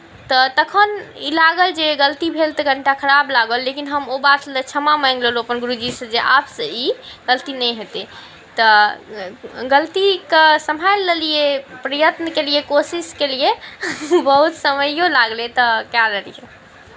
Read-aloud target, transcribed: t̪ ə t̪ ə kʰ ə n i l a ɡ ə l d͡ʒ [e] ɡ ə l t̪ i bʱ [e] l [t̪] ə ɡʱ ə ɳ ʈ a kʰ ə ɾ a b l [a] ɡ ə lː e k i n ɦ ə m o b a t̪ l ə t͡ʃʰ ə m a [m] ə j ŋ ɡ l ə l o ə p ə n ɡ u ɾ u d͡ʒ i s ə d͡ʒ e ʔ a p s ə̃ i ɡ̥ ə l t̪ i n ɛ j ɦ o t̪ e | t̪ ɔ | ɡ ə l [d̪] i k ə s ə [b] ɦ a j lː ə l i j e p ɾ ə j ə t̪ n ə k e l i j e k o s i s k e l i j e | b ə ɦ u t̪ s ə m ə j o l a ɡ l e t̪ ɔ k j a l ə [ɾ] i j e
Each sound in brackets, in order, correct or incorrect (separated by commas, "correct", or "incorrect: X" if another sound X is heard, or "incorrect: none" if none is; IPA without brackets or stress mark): correct, correct, correct, correct, correct, incorrect: t̪, incorrect: m, incorrect: l